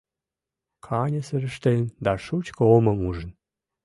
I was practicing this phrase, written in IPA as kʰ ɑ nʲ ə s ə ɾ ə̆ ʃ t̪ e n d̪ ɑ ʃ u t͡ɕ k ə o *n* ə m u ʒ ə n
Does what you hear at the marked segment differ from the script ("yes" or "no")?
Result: yes